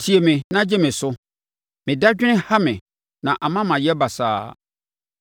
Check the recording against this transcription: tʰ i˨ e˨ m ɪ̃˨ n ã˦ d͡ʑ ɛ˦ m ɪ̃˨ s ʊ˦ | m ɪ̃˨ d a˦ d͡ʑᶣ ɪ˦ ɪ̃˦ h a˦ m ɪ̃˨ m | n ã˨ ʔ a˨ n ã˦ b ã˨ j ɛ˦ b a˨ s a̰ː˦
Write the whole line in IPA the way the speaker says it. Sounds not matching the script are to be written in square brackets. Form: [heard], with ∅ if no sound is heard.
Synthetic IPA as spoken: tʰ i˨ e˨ m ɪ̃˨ n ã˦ d͡ʑ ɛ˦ m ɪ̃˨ s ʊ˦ | m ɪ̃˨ d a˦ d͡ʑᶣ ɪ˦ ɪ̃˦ h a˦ m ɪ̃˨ [∅] | n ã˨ ʔ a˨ [m] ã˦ [m] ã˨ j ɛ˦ b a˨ s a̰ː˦